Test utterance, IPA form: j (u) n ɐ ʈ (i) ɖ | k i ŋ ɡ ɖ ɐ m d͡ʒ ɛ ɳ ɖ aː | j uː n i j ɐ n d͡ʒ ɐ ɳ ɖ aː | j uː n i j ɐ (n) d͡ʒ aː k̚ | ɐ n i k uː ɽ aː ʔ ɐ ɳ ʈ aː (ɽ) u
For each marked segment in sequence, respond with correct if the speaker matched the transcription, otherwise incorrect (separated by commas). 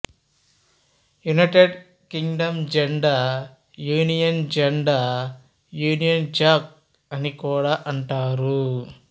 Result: correct, incorrect, correct, incorrect